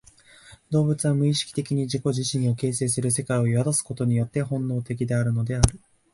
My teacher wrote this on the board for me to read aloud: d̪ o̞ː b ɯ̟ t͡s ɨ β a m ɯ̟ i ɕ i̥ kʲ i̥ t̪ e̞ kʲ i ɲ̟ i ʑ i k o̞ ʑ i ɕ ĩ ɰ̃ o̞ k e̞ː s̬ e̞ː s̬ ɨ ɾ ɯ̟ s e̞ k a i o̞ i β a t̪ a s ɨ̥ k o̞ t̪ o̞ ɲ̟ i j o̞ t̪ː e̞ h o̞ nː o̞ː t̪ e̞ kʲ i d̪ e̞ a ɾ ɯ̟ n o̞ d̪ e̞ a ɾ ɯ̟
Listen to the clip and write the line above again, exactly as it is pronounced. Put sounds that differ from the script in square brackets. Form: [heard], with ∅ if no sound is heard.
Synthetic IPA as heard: d̪ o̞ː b ɯ̟ t͡s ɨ β a m ɯ̟ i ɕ i̥ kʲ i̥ t̪ e̞ kʲ i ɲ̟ i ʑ i k o̞ ʑ i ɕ ĩ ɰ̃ o̞ k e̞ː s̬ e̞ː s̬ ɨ ɾ ɯ̟ s e̞ k a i o̞ i β a [d̪] a s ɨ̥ k o̞ t̪ o̞ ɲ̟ i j o̞ t̪ː e̞ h [õ̞] nː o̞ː t̪ e̞ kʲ i d̪ e̞ a ɾ ɯ̟ n o̞ d̪ e̞ a ɾ ɯ̟

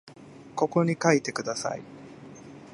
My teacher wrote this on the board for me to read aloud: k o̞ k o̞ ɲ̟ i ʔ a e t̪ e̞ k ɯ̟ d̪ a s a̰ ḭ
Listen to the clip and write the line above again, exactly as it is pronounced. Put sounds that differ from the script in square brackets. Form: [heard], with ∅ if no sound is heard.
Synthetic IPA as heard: k o̞ k o̞ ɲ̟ i [k] a [i] t̪ e̞ k ɯ̟ d̪ a s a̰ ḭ

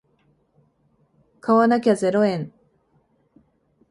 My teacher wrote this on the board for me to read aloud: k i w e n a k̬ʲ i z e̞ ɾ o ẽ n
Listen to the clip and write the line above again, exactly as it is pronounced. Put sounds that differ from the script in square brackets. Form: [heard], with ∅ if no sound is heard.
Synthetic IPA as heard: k [a] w [a] n a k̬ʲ [a] z e̞ ɾ o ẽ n

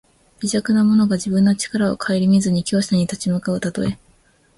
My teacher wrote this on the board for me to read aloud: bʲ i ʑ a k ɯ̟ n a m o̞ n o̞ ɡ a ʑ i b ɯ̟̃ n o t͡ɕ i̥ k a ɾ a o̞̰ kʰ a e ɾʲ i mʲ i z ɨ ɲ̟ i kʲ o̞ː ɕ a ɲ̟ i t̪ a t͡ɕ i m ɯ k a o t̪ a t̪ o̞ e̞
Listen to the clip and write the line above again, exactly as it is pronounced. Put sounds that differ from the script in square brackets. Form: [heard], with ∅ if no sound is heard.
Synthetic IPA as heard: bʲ i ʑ a k ɯ̟ n a m o̞ n o̞ ɡ a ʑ i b ɯ̟̃ [nː] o t͡ɕ i̥ k a ɾ a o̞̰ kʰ a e ɾʲ i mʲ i z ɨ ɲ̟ i kʲ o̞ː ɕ a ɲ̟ i t̪ a t͡ɕ i m ɯ k a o t̪ a t̪ o̞ e̞

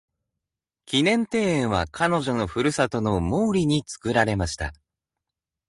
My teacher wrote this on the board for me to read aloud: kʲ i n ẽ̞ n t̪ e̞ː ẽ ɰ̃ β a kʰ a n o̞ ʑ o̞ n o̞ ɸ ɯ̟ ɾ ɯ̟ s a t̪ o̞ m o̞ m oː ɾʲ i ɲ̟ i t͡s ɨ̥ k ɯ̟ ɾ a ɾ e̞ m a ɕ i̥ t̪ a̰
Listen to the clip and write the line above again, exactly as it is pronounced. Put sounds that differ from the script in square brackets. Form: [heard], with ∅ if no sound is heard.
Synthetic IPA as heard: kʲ i n ẽ̞ n t̪ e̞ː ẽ ɰ̃ β a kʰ a n o̞ ʑ o̞ n o̞ ɸ ɯ̟ ɾ ɯ̟ s a t̪ o̞ [n] o̞ m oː ɾʲ i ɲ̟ i t͡s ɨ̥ k ɯ̟ ɾ a ɾ e̞ m a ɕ i̥ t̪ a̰

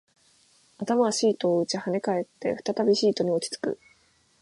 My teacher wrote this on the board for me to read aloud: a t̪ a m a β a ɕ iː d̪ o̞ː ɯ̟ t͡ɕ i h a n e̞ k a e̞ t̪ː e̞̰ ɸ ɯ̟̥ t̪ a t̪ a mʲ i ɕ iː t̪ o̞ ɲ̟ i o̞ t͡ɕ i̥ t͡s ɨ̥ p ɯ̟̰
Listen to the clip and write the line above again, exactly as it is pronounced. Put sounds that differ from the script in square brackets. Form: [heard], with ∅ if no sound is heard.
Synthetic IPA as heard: a t̪ a m a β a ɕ iː [t̪] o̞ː ɯ̟ t͡ɕ i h a n e̞ k a e̞ t̪ː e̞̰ ɸ ɯ̟̥ t̪ a t̪ a [bʲ] i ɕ iː t̪ o̞ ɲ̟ i o̞ t͡ɕ i̥ t͡s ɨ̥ [k] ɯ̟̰

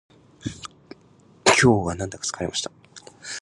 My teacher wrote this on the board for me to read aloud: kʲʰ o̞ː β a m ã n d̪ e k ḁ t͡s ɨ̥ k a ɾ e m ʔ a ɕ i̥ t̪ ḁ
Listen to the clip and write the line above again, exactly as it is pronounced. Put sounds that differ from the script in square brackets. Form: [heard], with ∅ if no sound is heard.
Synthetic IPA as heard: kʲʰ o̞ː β a [n] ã n d̪ [a] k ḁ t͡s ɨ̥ k a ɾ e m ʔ a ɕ i̥ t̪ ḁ

